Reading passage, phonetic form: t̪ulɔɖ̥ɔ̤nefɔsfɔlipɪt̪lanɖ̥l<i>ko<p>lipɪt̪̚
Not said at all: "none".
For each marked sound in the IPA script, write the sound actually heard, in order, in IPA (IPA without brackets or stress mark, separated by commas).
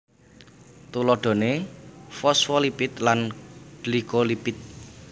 i, none